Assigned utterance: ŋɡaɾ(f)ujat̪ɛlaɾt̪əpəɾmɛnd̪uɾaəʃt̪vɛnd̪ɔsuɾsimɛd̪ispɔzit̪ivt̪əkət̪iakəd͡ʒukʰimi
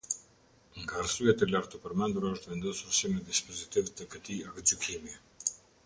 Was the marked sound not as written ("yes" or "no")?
yes